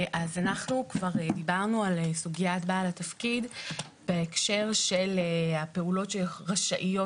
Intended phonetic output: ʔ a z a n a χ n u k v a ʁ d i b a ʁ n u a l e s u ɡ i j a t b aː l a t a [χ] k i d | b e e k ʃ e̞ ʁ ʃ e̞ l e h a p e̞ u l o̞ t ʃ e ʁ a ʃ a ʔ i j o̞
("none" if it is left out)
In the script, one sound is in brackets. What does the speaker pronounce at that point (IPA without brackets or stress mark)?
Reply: f